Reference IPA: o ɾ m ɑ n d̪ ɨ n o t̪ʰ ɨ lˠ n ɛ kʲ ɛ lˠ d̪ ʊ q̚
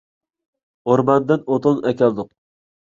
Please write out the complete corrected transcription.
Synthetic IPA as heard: o ɾ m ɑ n d̪ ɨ n o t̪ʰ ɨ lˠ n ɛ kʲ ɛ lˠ d̪ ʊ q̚